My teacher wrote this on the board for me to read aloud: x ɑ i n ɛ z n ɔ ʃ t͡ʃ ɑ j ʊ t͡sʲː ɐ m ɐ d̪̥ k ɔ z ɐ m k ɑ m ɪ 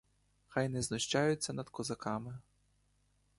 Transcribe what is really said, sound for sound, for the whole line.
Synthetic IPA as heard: x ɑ j n ɛ z n ɔ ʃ t͡ʃ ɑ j ʊ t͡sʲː ɐ n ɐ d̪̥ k ɔ z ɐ k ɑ m ɪ

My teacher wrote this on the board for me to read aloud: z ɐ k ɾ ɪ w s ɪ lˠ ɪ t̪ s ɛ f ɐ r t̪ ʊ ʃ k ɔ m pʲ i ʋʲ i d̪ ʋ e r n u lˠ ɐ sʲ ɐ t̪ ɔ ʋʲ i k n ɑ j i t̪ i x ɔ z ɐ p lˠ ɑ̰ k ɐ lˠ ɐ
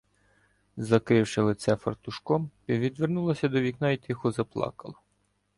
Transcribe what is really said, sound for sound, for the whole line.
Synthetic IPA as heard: z ɐ k ɾ ɪ w ʃ ɪ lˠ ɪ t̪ s ɛ f ɐ r t̪ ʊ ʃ k ɔ m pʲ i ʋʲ i d̪ ʋ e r n u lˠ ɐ sʲ ɐ d̪ ɔ ʋʲ i k n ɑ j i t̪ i x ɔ z ɐ p lˠ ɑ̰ k ɐ lˠ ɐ

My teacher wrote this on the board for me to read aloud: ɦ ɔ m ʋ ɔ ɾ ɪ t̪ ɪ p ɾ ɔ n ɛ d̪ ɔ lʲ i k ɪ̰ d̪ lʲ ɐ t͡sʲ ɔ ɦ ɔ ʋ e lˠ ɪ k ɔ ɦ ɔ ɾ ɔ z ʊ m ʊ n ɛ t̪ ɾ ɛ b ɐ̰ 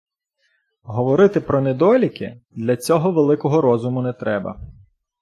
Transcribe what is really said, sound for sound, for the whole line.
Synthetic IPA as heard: ɦ ɔ ʋ ɔ ɾ ɪ t̪ ɪ p ɾ ɔ n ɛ d̪ ɔ lʲ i k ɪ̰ d̪ lʲ ɐ t͡sʲ ɔ ɦ ɔ ʋ e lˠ ɪ k ɔ ɦ ɔ ɾ ɔ z ʊ m ʊ n ɛ t̪ ɾ ɛ b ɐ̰

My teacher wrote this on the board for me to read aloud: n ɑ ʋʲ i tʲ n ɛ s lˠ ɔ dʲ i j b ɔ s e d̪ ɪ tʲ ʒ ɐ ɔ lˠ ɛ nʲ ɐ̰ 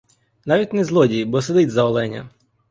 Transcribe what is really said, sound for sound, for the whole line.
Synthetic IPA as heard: n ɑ ʋʲ i tʲ n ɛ z lˠ ɔ dʲ i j b ɔ s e d̪ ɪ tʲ z ɐ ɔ lˠ ɛ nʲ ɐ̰

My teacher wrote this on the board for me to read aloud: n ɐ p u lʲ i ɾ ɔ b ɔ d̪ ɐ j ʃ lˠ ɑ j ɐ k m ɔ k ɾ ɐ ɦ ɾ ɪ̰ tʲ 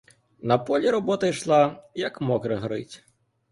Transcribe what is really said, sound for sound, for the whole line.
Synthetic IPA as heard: n ɐ p ɔ lʲ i ɾ ɔ b ɔ t̪ ɐ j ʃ lˠ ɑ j ɐ k m ɔ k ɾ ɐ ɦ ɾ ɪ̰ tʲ

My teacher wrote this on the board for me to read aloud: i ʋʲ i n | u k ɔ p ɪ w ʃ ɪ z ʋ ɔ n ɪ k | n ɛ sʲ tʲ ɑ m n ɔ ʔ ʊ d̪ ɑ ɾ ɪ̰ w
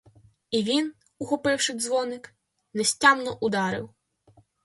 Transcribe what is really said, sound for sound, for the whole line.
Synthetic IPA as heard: i ʋʲ i n | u x ɔ p ɪ w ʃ ɪ z ʋ ɔ n ɪ k | n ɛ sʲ tʲ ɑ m n ɔ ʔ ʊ d̪ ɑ ɾ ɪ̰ w

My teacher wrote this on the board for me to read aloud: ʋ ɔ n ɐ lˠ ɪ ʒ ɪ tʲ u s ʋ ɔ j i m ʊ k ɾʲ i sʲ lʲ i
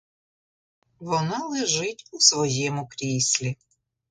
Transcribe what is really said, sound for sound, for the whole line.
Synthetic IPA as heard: ʋ ɔ n ɑ lˠ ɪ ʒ ɪ tʲ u s ʋ ɔ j ɛ m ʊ k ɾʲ i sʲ lʲ i

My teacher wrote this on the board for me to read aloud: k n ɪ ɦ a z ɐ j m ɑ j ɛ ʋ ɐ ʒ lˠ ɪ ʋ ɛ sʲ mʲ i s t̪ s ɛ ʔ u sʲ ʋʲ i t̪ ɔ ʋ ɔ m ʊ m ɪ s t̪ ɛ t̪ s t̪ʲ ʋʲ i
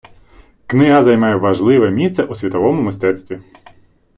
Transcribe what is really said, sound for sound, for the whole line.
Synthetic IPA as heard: k n ɪ ɦ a z ɐ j m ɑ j ɛ ʋ ɐ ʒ lˠ ɪ ʋ ɛ mʲ i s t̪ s ɛ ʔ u sʲ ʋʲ i t̪ ɔ ʋ ɔ m ʊ m ɪ s t̪ ɛ t̪ s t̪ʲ ʋʲ i

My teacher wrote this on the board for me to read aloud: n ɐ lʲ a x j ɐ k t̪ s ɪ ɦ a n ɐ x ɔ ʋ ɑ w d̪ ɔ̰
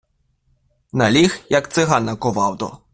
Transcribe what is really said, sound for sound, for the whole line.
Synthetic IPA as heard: n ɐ lʲ i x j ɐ k t̪ s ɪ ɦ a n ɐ k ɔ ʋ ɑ w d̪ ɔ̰

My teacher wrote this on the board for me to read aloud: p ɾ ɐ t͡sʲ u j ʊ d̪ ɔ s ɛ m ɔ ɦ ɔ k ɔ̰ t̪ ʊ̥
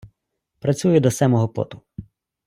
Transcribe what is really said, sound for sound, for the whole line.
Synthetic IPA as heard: p ɾ ɐ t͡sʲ u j ʊ d̪ ɔ s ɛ m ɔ ɦ ɔ p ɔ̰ t̪ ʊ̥

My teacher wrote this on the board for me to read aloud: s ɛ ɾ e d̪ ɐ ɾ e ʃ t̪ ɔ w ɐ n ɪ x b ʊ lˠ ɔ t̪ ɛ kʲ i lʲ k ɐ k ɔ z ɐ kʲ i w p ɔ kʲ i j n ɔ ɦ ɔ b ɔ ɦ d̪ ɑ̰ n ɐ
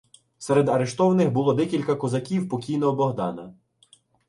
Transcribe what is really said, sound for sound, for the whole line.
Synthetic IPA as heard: s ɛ ɾ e d̪ ɐ ɾ e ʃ t̪ ɔ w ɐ n ɪ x b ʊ lˠ ɔ d̪ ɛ kʲ i lʲ k ɐ k ɔ z ɐ kʲ i w p ɔ kʲ i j n ɔ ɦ ɔ b ɔ ɦ d̪ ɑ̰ n ɐ

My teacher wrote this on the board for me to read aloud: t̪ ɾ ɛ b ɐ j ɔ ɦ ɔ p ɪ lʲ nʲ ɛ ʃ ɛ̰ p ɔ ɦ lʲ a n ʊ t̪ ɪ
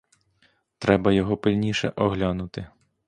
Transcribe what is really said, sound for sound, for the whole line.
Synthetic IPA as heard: t̪ ɾ ɛ b ɐ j ɔ ɦ ɔ p ɪ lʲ nʲ i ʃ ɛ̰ ʔ ɔ ɦ lʲ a n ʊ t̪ ɪ

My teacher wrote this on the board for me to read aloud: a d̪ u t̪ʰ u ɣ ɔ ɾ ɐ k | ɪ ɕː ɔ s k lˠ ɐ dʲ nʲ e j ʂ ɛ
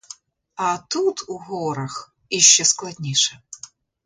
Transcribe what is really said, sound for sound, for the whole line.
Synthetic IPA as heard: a t̪ u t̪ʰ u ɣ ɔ ɾ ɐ x | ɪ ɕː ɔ s k lˠ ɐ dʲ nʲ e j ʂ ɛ

